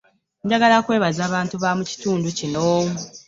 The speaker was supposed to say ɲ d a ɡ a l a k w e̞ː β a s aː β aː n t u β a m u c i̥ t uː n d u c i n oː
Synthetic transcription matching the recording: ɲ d a ɡ a l a k w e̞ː β a z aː β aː n t u β a m u c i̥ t uː n d u c i n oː